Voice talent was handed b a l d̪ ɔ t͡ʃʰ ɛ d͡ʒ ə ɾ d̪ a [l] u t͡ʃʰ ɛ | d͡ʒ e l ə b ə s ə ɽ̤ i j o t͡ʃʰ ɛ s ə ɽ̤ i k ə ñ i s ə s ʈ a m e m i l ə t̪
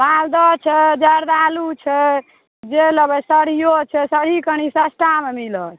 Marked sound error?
no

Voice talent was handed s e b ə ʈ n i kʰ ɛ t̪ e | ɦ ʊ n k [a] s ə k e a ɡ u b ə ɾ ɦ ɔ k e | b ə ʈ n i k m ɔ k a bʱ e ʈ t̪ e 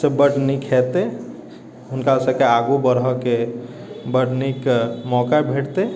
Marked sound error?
no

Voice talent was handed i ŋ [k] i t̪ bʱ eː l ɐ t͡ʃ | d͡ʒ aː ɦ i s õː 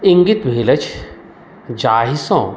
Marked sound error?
yes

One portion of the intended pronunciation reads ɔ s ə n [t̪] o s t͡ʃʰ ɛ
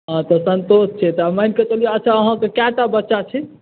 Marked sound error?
no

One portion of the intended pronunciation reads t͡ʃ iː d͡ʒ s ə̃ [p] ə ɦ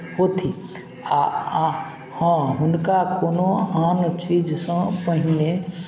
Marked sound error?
no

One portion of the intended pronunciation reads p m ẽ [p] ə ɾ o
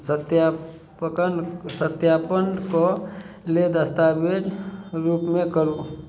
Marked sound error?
yes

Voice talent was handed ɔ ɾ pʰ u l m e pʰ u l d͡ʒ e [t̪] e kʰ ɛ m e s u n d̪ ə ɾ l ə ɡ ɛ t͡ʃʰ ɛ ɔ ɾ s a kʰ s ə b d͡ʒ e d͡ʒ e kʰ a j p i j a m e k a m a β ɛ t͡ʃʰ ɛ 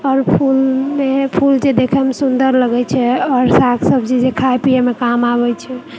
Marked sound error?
yes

